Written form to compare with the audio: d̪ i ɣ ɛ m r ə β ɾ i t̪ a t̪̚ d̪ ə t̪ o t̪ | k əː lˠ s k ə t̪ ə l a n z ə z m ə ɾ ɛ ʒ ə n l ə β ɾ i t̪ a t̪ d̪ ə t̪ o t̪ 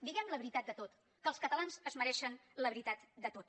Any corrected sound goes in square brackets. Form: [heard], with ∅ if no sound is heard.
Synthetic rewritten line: d̪ i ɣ ɛ m [l] ə β ɾ i t̪ a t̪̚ d̪ ə t̪ o t̪ | k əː lˠ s k ə t̪ ə l a n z ə z m ə ɾ ɛ [ʃ] ə n l ə β ɾ i t̪ a t̪ d̪ ə t̪ o t̪